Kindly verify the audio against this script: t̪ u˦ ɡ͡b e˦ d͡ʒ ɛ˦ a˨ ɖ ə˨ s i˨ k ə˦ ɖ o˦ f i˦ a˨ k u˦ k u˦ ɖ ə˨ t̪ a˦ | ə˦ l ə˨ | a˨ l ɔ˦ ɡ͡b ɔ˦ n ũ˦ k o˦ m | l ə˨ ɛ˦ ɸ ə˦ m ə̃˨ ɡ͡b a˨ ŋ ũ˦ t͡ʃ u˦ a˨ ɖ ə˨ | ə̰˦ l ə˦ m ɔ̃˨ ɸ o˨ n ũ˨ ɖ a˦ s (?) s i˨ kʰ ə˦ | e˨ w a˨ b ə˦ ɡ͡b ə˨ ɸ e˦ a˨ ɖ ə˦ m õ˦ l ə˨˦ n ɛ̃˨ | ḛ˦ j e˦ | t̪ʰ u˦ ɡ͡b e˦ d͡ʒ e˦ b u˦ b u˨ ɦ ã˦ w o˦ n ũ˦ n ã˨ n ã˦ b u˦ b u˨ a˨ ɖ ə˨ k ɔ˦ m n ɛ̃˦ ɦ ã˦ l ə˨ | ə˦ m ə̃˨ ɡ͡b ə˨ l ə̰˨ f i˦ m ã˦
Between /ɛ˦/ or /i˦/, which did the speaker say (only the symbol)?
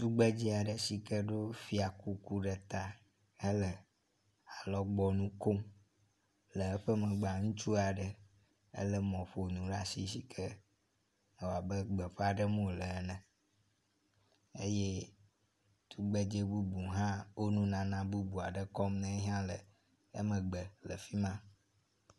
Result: i˦